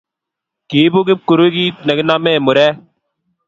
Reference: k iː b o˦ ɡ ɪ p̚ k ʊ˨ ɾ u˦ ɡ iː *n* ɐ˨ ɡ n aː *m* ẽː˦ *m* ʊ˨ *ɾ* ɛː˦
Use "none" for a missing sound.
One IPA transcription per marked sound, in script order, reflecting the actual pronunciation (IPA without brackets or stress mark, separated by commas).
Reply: n, m, m, ɾ